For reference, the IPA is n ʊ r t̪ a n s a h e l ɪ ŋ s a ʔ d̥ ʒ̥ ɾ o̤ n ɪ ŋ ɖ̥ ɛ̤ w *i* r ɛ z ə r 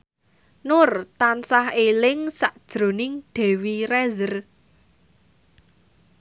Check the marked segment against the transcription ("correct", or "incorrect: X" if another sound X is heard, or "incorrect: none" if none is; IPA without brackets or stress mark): correct